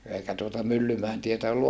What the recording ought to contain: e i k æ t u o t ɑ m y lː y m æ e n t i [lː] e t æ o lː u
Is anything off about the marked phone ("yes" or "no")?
yes